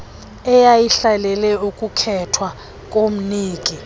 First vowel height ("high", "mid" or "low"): mid